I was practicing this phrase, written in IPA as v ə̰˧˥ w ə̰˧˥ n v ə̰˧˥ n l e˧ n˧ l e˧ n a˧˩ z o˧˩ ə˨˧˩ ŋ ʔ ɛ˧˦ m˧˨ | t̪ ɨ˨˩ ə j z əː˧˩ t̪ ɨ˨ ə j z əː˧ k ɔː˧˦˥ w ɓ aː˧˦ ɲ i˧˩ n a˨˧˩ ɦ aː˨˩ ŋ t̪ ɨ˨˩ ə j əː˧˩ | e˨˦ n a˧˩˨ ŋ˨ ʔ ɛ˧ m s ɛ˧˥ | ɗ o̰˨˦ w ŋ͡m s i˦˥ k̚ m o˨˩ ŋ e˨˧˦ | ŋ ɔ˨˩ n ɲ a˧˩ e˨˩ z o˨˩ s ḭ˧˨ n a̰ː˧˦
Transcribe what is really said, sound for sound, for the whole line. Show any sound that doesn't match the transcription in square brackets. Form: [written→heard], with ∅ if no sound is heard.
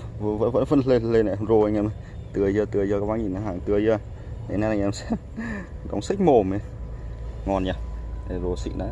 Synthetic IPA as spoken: v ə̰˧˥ [w→v] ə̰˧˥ n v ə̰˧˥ n l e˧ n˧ l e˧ n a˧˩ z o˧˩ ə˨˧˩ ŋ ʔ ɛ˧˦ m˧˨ | t̪ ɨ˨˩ ə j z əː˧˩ t̪ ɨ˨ ə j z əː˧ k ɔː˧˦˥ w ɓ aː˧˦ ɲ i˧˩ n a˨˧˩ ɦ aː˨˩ ŋ t̪ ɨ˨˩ ə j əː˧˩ | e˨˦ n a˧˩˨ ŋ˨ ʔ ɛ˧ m s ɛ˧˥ | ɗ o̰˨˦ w ŋ͡m s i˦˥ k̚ m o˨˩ [ŋ→m] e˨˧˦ | ŋ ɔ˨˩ n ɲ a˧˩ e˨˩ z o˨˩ s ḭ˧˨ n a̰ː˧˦